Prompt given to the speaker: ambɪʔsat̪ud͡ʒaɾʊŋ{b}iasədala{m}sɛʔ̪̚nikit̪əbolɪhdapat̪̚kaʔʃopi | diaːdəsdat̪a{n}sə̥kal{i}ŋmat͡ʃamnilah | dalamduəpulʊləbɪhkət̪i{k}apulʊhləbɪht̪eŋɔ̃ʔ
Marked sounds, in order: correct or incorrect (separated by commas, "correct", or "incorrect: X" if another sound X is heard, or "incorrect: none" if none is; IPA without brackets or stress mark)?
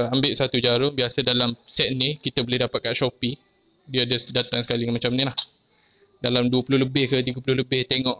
correct, correct, incorrect: ŋ, correct, incorrect: ɡ